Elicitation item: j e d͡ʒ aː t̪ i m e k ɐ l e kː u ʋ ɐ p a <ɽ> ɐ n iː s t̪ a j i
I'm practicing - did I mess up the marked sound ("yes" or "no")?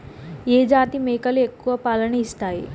yes